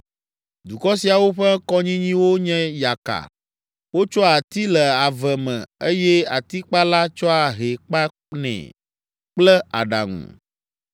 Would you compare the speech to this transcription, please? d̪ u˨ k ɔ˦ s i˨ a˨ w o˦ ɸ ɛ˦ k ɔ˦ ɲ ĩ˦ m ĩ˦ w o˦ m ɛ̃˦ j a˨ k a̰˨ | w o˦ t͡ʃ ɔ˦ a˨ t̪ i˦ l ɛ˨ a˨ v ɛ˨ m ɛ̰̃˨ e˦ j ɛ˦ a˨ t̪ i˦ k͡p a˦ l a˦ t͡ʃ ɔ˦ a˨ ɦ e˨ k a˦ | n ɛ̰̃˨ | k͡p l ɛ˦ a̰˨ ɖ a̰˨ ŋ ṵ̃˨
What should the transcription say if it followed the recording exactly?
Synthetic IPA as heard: d̪ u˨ k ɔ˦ s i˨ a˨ w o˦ ɸ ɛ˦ k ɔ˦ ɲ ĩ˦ ɲ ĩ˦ w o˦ ɲ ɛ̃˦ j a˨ k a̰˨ | w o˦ t͡ʃ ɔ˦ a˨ t̪ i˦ l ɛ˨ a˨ v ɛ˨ m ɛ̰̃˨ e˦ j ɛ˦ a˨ t̪ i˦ k͡p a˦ l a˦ t͡ʃ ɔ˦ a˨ ɦ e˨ k͡p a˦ | n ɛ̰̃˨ | k͡p l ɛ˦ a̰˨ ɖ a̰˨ ŋ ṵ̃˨